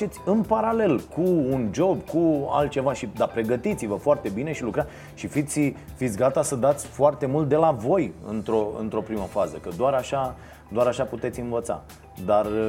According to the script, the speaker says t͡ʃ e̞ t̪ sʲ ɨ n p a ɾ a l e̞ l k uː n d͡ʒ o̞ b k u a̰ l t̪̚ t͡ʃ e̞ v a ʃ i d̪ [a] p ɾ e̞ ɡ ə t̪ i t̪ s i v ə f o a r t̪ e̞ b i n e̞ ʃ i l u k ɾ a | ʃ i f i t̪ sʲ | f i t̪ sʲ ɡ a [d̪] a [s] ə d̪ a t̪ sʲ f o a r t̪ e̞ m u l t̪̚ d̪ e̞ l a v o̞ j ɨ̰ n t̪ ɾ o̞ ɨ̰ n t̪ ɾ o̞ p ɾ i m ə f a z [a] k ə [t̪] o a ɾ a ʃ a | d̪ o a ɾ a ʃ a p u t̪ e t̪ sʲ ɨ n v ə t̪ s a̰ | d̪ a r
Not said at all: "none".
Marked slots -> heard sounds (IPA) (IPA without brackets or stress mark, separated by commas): a, t̪, s, ə, d̪